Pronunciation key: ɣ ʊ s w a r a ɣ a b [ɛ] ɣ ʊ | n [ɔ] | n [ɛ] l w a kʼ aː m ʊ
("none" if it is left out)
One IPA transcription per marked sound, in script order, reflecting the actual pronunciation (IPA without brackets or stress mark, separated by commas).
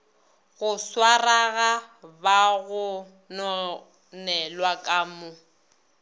a, ɔ, ɛ